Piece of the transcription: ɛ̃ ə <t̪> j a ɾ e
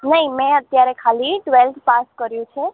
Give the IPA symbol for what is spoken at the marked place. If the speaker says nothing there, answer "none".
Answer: t̪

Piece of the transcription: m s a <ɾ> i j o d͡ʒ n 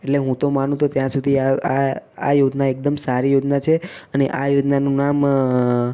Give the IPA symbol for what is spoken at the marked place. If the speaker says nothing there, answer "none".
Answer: ɾ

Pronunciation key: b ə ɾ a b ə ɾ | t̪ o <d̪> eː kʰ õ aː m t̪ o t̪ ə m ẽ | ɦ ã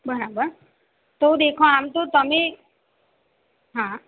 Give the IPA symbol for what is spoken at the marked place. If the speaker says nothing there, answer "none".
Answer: d̪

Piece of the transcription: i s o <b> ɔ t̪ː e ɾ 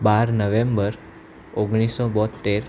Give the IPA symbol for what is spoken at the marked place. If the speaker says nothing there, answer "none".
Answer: b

